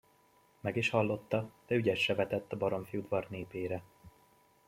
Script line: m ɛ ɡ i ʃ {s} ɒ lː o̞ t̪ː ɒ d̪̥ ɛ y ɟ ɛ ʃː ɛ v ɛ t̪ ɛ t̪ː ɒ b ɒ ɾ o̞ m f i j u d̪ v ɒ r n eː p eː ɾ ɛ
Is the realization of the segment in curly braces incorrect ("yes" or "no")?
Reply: yes